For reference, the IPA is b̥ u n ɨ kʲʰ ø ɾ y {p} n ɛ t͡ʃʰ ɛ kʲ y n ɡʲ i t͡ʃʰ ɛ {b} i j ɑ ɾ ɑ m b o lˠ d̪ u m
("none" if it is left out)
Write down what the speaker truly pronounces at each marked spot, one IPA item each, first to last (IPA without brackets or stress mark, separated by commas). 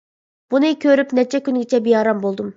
p, b